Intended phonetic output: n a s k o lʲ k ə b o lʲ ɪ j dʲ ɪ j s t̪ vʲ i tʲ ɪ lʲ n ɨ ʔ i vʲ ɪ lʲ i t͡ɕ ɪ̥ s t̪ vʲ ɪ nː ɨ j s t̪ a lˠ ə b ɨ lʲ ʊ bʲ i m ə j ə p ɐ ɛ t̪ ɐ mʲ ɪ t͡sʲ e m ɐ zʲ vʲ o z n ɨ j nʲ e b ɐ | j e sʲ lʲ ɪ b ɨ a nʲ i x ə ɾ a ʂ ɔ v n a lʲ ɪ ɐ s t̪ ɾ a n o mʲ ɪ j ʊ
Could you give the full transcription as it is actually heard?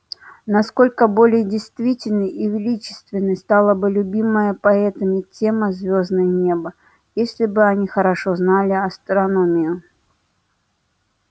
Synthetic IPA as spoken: n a s k o lʲ k ə b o lʲ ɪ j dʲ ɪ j s t̪ vʲ i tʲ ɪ lʲ n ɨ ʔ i vʲ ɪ lʲ i t͡ɕ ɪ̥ s t̪ vʲ ɪ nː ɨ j s t̪ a lˠ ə b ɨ lʲ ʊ bʲ i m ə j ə p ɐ ɛ t̪ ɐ mʲ ɪ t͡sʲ e m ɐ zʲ vʲ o z n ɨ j nʲ e b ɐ | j e sʲ lʲ ɪ b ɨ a nʲ i x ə ɾ a ʂ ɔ z n a lʲ ɪ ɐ s t̪ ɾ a n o mʲ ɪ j ʊ